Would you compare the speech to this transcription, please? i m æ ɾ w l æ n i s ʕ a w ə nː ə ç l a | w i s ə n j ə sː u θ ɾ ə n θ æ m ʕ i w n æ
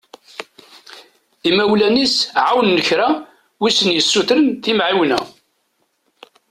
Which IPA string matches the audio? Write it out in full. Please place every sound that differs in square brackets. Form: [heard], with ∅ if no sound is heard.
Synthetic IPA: i m æ [∅] w l æ n i s ʕ a w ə nː ə ç [ɾ] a | w i s ə n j ə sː u θ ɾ ə n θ [i] m ʕ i w n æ